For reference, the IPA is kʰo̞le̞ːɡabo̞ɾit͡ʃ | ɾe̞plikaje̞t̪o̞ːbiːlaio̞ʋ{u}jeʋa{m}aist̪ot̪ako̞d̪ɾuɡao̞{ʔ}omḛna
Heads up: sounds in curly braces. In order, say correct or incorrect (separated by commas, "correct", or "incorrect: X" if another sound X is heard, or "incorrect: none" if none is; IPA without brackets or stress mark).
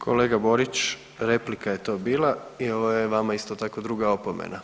incorrect: o, correct, incorrect: p